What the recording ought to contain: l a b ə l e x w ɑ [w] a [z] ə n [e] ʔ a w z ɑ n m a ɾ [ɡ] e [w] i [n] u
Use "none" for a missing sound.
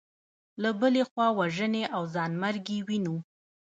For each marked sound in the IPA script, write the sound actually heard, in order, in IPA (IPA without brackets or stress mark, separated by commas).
w, ʒ, e, ɡ, w, n